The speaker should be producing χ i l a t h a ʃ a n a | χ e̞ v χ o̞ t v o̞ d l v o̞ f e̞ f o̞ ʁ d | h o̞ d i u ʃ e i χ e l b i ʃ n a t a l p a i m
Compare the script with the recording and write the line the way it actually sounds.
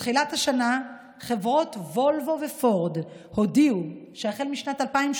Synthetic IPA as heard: χ i l a t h a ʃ a n a | χ e̞ v ʁ o̞ t v o̞ l v o̞ v e̞ f o̞ ʁ d | h o̞ d i u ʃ e a χ e l m i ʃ n a t a l p a i m